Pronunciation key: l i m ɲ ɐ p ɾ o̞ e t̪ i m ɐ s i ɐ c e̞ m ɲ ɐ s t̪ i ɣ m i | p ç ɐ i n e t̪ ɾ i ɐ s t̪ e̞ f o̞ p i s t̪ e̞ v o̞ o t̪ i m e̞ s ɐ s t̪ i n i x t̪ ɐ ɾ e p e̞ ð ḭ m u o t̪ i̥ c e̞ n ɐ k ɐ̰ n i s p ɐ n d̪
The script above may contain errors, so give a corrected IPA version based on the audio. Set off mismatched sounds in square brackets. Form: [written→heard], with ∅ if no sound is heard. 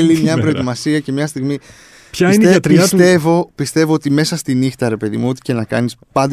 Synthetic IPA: l i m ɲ ɐ p ɾ o̞ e t̪ i m ɐ s i ɐ c e̞ m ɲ ɐ s t̪ i ɣ m i | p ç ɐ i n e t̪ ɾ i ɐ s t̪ e̞ [f→v] o̞ p i s t̪ e̞ v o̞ o t̪ i m e̞ s ɐ s t̪ i n i x t̪ ɐ ɾ e p e̞ ð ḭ m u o t̪ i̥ c e̞ n ɐ k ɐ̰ n i s p ɐ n d̪